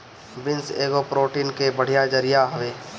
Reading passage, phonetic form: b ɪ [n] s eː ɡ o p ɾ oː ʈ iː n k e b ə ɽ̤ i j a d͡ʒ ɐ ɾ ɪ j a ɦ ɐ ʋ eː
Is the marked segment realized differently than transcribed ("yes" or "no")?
no